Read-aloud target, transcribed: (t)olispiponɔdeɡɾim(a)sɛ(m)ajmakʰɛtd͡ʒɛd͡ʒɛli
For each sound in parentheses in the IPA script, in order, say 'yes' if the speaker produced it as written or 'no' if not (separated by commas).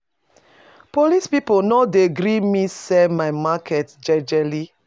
no, no, yes